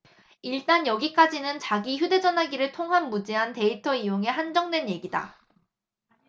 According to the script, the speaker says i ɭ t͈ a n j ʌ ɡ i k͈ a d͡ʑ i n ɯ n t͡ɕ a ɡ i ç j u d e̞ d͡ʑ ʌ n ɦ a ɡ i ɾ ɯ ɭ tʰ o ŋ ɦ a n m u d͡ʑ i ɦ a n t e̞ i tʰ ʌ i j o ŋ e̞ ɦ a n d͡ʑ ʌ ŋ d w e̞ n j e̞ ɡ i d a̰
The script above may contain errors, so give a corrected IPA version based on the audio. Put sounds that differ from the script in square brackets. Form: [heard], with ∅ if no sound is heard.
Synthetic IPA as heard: i ɭ t͈ a n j ʌ ɡ i k͈ a d͡ʑ i n ɯ n t͡ɕ a ɡ i ç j u d e̞ d͡ʑ ʌ n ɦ a ɡ i ɾ ɯ ɭ tʰ o ŋ ɦ a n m u d͡ʑ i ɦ a n t e̞ i tʰ ʌ i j o ŋ e̞ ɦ a n d͡ʑ ʌ ŋ d w e̞ n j e̞ ɡ i d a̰